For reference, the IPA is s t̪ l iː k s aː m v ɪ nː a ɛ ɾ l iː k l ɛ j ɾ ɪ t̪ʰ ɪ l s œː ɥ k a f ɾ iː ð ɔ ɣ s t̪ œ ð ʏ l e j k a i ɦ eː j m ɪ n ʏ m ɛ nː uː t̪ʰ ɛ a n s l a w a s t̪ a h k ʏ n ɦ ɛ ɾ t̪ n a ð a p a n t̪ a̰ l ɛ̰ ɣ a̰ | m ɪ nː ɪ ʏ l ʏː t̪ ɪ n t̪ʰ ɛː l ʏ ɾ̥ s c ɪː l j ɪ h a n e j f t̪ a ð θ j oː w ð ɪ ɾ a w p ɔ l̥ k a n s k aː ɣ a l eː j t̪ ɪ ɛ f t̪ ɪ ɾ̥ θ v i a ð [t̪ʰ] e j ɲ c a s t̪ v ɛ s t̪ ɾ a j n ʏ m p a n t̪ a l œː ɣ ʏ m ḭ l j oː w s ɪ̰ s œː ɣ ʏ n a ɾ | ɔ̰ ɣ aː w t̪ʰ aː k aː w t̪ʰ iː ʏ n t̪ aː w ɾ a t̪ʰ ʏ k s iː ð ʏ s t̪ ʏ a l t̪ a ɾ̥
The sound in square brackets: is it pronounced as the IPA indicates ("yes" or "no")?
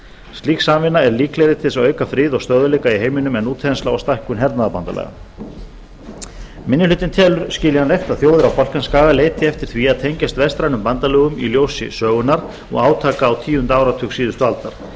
yes